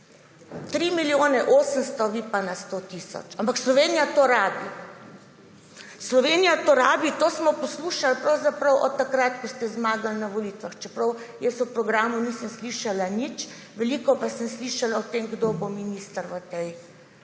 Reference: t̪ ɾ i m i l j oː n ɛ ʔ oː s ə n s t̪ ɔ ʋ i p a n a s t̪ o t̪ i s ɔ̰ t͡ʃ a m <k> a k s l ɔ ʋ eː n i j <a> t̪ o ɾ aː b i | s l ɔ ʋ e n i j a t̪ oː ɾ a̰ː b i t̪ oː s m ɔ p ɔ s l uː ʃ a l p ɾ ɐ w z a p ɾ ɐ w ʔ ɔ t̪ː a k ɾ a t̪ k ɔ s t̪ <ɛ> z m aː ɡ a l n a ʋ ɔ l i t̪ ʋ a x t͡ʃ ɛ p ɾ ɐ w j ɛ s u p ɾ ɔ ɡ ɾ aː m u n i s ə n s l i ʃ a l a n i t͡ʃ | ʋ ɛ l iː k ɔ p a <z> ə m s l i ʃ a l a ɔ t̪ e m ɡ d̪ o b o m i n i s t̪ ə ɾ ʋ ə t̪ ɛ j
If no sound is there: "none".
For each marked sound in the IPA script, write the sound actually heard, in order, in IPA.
p, a, ɛ, s

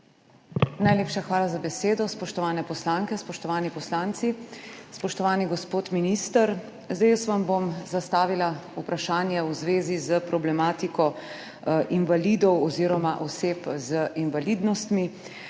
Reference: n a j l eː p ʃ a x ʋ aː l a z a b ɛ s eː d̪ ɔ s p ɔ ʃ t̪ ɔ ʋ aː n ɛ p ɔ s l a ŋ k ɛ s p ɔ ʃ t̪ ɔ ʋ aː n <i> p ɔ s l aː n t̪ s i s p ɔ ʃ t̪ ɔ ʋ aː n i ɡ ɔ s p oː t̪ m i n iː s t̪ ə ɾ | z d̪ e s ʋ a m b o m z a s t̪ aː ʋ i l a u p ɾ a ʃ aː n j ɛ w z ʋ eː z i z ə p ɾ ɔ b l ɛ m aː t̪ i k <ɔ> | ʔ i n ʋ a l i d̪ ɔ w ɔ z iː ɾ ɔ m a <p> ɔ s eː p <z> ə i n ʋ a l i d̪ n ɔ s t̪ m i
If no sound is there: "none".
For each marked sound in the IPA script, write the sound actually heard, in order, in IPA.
i, ɔ, ʔ, z

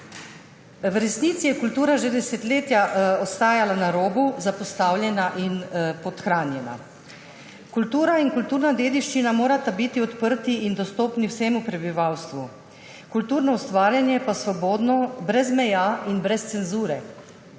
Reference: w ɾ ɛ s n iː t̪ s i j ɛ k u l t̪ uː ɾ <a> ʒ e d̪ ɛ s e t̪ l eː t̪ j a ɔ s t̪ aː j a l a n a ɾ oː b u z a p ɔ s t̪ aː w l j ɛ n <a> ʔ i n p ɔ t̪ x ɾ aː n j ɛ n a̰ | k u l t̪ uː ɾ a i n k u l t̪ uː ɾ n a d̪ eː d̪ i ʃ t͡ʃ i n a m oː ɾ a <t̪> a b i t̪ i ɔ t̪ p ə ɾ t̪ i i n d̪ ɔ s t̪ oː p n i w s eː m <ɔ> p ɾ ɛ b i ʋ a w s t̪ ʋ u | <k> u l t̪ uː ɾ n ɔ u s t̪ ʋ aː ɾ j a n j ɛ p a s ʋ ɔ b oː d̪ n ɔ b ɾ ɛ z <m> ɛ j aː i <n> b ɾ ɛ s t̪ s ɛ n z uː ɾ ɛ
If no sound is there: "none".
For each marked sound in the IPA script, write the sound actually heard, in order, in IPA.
a, a, t̪, u, k, m, n

